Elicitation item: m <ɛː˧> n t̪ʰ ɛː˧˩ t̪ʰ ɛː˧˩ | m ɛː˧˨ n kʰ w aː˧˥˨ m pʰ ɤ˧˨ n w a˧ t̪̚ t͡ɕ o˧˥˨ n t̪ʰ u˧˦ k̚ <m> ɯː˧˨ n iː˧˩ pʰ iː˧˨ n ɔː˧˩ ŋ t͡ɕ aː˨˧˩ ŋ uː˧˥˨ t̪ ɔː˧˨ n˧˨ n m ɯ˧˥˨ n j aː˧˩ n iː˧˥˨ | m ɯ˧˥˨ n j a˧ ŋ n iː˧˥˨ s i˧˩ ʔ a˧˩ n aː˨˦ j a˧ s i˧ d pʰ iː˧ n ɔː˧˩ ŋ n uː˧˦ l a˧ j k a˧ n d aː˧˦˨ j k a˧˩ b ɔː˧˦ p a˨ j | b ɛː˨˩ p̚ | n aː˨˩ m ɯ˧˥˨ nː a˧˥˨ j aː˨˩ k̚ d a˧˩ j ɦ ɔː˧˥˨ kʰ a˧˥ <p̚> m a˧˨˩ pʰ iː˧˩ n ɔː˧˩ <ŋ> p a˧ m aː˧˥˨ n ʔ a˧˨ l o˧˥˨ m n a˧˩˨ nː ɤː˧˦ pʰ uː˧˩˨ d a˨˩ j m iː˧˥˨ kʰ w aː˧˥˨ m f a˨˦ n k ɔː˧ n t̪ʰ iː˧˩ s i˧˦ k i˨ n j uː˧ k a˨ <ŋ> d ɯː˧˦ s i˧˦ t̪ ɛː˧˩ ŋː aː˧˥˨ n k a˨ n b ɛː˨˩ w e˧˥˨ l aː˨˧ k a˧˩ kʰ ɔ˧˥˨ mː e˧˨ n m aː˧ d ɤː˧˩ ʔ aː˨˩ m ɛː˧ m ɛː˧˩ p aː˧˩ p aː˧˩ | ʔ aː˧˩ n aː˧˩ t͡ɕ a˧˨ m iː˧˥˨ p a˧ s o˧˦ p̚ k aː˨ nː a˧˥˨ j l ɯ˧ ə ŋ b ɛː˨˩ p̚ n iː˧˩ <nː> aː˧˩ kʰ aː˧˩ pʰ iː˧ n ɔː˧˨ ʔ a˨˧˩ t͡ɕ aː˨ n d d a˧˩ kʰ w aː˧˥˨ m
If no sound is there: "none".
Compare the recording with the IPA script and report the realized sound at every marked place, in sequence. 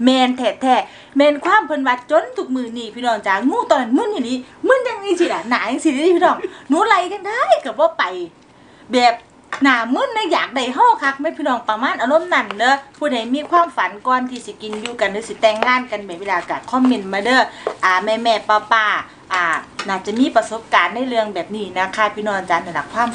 ɛː˧, m, k̚, ŋ, n, n

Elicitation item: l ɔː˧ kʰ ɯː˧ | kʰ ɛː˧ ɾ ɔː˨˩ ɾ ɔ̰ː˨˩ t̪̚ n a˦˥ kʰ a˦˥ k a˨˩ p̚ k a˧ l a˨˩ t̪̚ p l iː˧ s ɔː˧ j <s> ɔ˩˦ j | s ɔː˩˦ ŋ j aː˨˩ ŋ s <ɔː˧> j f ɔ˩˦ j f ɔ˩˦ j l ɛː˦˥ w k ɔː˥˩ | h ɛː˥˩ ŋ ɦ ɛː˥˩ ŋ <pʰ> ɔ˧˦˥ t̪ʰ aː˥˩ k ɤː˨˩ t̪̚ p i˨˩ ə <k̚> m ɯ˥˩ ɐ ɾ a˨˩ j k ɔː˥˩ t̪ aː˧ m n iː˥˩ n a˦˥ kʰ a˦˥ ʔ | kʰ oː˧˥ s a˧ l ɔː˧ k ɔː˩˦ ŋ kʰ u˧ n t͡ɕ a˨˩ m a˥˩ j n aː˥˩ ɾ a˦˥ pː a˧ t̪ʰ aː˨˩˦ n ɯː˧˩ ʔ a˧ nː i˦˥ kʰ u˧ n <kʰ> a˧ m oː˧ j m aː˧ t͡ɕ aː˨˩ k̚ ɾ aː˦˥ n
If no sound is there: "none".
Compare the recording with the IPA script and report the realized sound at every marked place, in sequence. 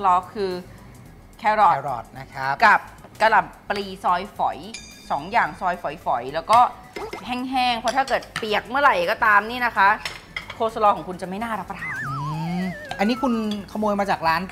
f, ɔː˧, pʰ, k̚, kʰ

